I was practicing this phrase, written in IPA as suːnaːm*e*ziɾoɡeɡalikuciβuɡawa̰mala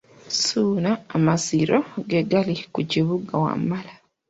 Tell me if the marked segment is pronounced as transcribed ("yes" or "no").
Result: no